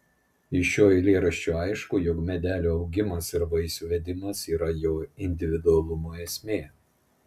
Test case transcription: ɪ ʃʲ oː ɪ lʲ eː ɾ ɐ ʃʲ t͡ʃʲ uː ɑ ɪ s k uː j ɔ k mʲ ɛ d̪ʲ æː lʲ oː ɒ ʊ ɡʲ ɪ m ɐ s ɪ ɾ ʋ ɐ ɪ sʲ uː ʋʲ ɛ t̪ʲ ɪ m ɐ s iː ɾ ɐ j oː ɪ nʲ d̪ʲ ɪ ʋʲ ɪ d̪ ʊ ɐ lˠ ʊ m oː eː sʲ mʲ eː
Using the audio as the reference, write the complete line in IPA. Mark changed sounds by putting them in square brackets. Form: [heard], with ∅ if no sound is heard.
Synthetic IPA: ɪ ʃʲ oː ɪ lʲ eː ɾ ɐ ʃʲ t͡ʃʲ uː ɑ ɪ [ʃ] k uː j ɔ k mʲ ɛ d̪ʲ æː lʲ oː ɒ ʊ ɡʲ ɪ m ɐ s ɪ ɾ ʋ ɐ ɪ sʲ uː ʋʲ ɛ [d̪ʲ] ɪ m ɐ s iː ɾ ɐ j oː ɪ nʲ d̪ʲ ɪ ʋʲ ɪ d̪ ʊ ɐ lˠ ʊ m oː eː sʲ mʲ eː